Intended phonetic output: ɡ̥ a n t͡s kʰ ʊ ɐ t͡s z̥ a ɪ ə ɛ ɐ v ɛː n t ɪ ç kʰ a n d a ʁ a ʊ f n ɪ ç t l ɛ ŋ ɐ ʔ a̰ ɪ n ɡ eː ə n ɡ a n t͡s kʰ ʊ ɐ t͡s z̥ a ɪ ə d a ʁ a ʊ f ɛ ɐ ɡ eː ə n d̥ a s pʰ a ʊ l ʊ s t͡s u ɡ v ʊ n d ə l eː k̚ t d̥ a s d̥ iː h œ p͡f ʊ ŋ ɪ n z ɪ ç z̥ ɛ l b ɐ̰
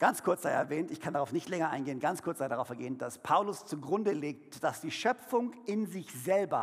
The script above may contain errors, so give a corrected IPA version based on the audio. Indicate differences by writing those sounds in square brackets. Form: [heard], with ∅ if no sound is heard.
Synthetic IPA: ɡ̥ a n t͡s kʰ ʊ ɐ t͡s z̥ a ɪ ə ɛ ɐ v ɛː n t ɪ ç kʰ a n d a ʁ a ʊ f n ɪ ç t l ɛ ŋ ɐ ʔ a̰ ɪ n ɡ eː ə n ɡ a n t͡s kʰ ʊ ɐ t͡s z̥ a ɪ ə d a ʁ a ʊ f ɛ ɐ ɡ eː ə n d̥ a s pʰ a ʊ l ʊ s t͡s u ɡ [ʁ] ʊ n d ə l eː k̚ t d̥ a s d̥ iː [ʃ] œ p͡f ʊ ŋ ɪ n z ɪ ç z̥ ɛ l b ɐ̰